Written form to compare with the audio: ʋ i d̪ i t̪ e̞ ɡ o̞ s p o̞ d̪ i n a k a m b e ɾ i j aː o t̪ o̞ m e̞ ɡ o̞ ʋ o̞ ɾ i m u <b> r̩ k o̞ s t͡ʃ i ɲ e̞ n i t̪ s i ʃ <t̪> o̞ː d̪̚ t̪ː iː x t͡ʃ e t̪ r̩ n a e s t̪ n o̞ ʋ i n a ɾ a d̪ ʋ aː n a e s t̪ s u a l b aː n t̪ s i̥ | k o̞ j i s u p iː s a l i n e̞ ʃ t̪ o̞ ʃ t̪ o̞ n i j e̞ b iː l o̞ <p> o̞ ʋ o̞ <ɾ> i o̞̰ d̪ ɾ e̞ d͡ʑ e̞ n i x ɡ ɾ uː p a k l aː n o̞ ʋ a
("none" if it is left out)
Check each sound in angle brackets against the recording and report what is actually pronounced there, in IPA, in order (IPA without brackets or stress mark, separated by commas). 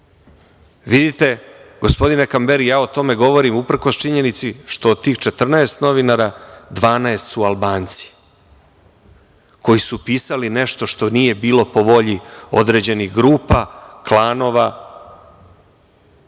p, t̪, p, ʎ